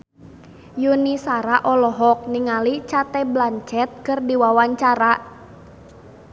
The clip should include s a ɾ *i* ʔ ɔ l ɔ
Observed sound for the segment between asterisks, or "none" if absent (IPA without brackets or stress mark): a